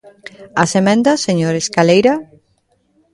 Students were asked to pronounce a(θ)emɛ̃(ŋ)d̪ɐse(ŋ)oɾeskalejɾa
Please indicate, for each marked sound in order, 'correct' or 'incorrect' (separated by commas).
incorrect, incorrect, incorrect